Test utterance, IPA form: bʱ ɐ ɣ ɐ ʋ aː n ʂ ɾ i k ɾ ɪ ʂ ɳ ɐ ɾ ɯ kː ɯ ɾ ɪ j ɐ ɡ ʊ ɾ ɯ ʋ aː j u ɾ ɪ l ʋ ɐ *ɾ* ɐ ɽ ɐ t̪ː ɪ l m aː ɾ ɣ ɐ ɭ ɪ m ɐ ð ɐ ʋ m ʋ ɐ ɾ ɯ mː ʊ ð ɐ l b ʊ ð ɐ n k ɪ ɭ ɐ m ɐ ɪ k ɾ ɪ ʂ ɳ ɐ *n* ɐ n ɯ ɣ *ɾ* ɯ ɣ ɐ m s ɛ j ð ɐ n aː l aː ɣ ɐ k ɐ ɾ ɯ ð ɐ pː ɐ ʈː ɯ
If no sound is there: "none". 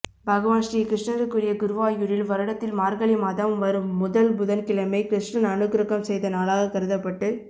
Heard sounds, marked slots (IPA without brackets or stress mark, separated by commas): ɾ, n, ɾ